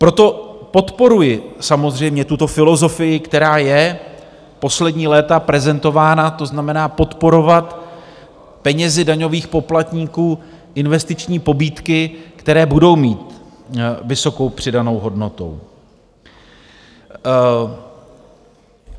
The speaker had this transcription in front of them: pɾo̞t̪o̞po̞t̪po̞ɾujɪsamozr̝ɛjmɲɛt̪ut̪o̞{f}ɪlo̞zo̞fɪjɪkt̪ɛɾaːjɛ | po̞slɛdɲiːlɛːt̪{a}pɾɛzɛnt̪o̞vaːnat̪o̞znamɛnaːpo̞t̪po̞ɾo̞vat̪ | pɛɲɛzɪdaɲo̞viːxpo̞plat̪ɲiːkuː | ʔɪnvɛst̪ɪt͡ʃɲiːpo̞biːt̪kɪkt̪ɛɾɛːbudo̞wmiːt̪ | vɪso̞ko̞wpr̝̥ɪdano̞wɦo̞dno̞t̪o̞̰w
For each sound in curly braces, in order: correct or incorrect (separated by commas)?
correct, correct